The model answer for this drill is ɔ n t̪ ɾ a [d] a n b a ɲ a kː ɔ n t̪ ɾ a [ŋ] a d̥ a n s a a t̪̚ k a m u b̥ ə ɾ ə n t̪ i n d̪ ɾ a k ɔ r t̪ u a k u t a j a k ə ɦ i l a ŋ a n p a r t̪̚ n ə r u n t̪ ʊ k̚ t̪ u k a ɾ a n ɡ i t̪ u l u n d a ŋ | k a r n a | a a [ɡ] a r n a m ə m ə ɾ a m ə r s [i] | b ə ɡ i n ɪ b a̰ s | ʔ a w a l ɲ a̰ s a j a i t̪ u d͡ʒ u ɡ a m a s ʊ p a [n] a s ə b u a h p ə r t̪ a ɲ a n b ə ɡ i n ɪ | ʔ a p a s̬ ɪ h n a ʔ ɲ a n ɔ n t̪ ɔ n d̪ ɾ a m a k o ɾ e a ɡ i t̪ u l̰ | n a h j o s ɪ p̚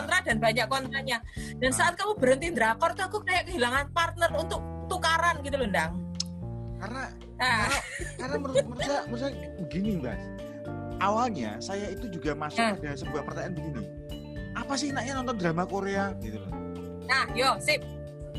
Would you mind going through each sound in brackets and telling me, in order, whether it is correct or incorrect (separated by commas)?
correct, incorrect, incorrect, incorrect, incorrect